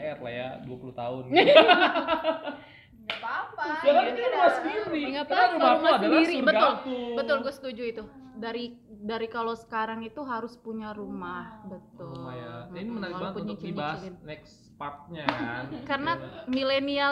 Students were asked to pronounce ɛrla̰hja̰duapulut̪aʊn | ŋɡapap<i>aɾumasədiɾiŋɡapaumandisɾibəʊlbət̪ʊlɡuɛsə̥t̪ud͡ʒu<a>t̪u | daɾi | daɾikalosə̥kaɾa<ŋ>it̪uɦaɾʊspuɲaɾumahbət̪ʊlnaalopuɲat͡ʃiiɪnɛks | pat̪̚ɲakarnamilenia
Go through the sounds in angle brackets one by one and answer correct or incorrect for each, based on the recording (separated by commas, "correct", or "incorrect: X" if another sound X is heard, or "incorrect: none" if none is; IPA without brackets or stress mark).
incorrect: a, incorrect: i, correct